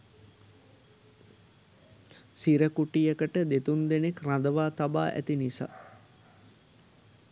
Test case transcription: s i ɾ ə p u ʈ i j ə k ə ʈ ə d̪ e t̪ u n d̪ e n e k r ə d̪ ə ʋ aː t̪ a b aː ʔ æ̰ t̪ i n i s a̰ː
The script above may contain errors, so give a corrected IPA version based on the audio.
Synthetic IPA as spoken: s i ɾ ə k u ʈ i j ə k ə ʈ ə d̪ e t̪ u n d̪ e n e k r a d̪ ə ʋ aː t̪ a b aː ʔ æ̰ t̪ i n i s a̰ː